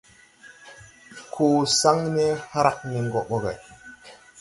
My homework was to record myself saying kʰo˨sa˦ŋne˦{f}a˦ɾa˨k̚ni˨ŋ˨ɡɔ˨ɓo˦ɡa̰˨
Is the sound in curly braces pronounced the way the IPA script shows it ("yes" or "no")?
no